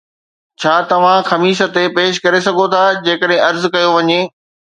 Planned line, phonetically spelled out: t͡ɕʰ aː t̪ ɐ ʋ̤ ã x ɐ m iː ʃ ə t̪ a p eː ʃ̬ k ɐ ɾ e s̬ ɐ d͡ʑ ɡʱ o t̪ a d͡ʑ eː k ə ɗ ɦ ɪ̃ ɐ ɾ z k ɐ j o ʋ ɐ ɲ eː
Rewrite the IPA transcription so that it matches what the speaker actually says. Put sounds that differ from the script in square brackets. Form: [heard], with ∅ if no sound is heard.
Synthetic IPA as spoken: t͡ɕʰ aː t̪ ɐ ʋ̤ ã x ɐ m iː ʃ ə t̪ [e] p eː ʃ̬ k ɐ ɾ e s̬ ɐ [∅] ɡʱ o [t̪ʰ] a d͡ʑ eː k ə ɗ ɦ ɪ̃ ɐ ɾ z k ɐ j o ʋ ɐ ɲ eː